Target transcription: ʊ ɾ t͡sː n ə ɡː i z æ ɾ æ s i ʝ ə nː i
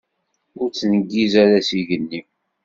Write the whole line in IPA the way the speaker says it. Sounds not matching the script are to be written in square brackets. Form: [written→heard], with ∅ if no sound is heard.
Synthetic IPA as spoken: ʊ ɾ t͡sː n ə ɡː i z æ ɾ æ s i ʝ ə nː i